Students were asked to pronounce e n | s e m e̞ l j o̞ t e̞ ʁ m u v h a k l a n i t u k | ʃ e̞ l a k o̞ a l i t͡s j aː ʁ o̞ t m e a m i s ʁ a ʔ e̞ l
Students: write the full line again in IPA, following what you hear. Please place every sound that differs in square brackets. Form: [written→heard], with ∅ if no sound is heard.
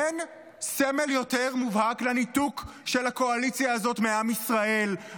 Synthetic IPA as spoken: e n | s e m e̞ l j o̞ t e̞ ʁ m u v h a k l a n i t u k | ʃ e̞ l a k o̞ a l i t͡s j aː [ʁ→z] o̞ t m e a m i s ʁ a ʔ e̞ l